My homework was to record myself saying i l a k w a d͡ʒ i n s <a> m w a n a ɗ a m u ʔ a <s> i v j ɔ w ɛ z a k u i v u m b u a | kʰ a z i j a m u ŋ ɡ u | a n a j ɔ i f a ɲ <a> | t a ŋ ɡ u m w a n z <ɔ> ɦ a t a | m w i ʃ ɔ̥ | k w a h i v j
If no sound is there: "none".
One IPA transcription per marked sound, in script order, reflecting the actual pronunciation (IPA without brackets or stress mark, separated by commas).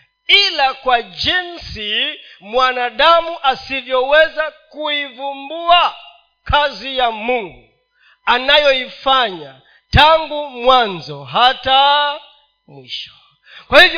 i, s, a, ɔ